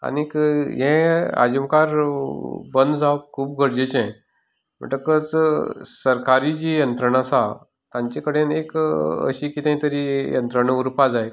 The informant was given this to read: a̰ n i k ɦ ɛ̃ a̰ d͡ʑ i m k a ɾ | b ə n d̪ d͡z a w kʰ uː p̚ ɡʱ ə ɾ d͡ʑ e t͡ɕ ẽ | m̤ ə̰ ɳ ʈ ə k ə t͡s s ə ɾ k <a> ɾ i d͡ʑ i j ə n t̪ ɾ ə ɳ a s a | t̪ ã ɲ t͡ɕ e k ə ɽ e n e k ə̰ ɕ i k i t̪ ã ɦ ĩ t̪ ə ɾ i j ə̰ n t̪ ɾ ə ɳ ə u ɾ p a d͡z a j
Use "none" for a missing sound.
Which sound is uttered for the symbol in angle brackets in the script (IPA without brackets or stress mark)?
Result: a